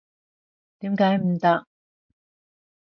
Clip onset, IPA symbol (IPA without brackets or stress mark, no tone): t̪